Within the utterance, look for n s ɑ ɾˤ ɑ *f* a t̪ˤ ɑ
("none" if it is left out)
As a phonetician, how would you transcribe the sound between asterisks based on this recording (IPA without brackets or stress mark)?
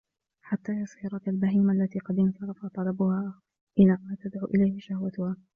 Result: f